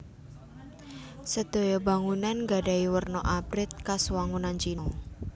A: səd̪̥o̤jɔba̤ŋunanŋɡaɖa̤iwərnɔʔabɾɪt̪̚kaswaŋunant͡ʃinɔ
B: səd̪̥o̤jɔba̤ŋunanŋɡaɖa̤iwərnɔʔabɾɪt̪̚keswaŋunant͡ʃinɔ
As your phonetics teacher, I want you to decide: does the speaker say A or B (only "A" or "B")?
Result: A